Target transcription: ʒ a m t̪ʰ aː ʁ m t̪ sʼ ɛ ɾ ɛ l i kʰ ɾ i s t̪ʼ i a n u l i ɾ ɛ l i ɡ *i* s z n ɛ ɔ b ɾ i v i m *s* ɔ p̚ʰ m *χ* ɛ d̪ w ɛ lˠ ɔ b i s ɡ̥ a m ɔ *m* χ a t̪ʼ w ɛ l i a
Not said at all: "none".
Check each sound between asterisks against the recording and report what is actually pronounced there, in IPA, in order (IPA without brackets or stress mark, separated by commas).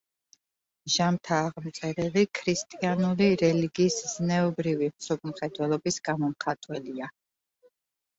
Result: iː, s, χ, m